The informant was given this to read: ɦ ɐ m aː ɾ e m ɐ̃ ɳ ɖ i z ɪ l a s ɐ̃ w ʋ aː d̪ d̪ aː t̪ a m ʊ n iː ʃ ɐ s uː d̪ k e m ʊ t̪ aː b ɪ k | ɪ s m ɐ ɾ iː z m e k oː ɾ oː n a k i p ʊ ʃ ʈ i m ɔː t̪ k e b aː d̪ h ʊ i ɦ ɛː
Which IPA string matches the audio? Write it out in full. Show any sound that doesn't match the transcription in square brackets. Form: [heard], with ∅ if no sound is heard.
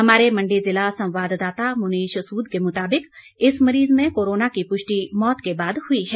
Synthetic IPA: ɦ ɐ m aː ɾ e m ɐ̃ ɳ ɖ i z ɪ l a s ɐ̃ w ʋ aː d̪ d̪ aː t̪ a m ʊ n iː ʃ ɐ s uː d̪ k e m ʊ t̪ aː b ɪ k | ɪ s m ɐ ɾ iː z m [ẽ] k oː ɾ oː n a k i p ʊ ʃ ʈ i m ɔː t̪ k e b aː d̪ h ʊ i ɦ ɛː